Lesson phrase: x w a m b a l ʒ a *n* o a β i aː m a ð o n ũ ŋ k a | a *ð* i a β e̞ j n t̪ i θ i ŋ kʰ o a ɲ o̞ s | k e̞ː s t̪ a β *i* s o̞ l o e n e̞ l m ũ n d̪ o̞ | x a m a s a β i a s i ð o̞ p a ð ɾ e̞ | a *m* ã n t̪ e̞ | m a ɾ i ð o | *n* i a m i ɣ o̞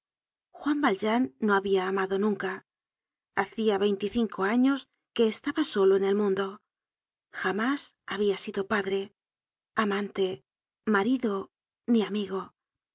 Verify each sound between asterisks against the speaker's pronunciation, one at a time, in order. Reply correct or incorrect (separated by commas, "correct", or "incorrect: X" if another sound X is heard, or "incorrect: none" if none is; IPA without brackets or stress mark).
incorrect: nː, incorrect: θ, incorrect: a, correct, correct